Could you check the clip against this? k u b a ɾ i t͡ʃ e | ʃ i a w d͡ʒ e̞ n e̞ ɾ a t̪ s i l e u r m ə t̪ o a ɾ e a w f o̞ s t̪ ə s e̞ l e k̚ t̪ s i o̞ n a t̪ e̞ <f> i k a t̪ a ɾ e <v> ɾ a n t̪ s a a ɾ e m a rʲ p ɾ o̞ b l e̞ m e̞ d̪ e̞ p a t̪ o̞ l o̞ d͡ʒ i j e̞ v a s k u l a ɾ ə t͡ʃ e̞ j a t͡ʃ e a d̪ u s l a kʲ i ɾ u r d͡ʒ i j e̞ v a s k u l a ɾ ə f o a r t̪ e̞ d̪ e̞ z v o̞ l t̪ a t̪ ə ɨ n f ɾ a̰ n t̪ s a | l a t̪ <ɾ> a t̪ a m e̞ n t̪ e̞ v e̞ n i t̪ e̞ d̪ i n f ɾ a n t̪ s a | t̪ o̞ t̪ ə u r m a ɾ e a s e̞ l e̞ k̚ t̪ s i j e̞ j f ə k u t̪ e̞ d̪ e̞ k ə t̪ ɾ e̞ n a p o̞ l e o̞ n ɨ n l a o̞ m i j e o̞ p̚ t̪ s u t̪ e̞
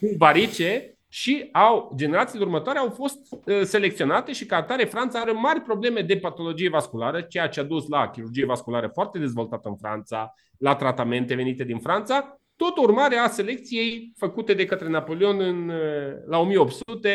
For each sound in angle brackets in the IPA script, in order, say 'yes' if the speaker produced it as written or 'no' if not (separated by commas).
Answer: no, no, yes